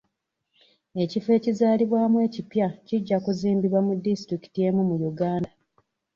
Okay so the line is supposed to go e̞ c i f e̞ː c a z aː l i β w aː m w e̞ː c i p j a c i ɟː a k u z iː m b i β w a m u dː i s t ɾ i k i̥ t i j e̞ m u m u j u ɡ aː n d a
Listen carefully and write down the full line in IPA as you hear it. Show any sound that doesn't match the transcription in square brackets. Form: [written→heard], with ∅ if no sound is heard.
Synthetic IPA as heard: e̞ c i f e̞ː c [a→i] z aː l i β w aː m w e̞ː c i p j a c i ɟː a k u z iː m b i β w a m u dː i s t ɾ i k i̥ t i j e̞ m u m u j u ɡ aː n d a